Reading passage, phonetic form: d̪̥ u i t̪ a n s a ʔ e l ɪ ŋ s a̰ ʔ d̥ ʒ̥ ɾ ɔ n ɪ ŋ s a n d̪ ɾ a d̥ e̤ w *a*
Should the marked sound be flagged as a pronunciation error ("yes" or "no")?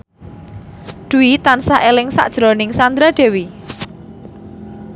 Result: yes